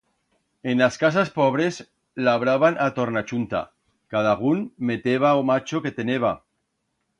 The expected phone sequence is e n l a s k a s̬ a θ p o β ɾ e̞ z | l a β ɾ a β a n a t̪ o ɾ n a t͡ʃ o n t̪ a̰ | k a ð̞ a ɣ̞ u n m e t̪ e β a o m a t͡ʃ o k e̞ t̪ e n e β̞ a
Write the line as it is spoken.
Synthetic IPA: e n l a s k a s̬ a s p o β ɾ e̞ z | l a β ɾ a β a n a t̪ o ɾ n a t͡ʃ u n t̪ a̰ | k a ð̞ a ɣ̞ u n m e t̪ e β a o m a t͡ʃ o k e̞ t̪ e n e β̞ a